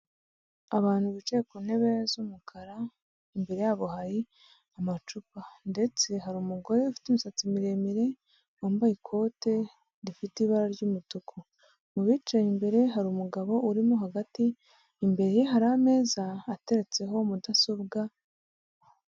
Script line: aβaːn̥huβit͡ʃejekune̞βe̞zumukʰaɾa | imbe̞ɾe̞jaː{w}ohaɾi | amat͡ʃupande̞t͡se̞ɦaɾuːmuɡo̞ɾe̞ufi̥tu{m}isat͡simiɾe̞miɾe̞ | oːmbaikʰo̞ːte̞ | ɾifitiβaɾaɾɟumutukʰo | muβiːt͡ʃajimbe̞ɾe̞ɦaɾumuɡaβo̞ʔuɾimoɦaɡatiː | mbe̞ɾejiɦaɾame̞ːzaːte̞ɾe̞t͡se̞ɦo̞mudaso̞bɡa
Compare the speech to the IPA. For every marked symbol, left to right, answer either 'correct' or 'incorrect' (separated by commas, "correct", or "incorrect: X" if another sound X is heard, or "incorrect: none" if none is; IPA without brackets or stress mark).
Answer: incorrect: β, correct